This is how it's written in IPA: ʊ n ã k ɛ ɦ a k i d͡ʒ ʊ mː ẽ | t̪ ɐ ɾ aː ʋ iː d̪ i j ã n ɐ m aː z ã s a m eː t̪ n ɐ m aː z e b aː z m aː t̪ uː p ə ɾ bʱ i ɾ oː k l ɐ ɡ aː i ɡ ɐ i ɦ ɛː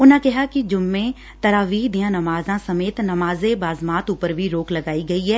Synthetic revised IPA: ʊ n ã k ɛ ɦ a k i d͡ʒ ʊ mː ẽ | t̪ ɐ ɾ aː ʋ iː d̪ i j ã n ɐ m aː z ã s ɐ m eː t̪ n ɐ m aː z e b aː z m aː t̪ uː p ə ɾ bʱ i ɾ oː k l ɐ ɡ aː i ɡ ɐ i ɦ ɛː